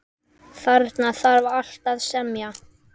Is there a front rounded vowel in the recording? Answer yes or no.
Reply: no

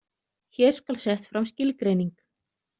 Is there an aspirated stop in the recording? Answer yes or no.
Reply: no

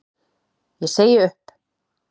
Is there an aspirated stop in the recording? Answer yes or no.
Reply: no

